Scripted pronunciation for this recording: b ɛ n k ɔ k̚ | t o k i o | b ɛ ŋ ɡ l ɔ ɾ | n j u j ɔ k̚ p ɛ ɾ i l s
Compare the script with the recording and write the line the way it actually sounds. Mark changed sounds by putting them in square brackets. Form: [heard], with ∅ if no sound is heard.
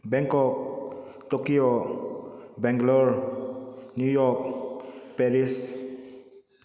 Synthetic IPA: b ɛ [ŋ] k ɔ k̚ | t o k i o | b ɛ ŋ ɡ l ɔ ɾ | n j u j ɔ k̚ p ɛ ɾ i [∅] s

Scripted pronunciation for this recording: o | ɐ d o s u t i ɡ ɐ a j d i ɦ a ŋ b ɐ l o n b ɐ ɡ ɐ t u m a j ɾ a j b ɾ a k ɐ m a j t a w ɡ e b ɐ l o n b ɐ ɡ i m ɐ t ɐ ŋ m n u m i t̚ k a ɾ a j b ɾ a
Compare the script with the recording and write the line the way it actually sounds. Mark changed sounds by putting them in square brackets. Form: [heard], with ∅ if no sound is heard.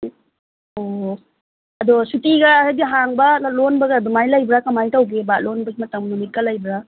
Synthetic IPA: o | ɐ d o s u t i ɡ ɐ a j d i ɦ a ŋ b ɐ l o n b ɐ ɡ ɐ [d] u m a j [l] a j b ɾ a k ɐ m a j t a w ɡ e b [a] l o n b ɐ ɡ i m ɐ t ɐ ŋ m n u m i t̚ k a [l] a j b ɾ a

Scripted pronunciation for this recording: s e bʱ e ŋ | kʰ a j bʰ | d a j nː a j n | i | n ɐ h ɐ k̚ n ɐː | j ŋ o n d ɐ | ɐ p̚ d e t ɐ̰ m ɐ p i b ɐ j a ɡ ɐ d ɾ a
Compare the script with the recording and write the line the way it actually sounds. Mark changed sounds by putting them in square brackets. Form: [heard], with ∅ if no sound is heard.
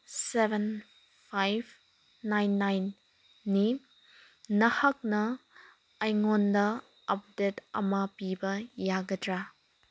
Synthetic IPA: s e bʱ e [n] | [pʰ] a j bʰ | [n] a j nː a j [nː] | i | n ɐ h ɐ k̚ n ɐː | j ŋ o n d ɐ | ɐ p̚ d e t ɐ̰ m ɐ p i b ɐ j a ɡ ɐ d ɾ a

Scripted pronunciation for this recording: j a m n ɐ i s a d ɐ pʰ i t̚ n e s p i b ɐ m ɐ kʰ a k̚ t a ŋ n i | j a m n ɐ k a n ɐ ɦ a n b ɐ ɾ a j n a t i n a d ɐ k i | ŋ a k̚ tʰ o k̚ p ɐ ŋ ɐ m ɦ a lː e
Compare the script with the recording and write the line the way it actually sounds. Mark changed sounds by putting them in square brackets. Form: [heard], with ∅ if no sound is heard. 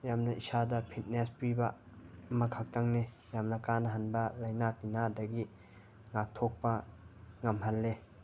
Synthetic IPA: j a m n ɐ i s a d ɐ pʰ i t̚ n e s p i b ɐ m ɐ kʰ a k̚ t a ŋ n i | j a m n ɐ k a n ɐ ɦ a n b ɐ [l] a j n a t i n a d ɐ [ɡ] i | ŋ a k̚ tʰ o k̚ p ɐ ŋ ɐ m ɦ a lː e

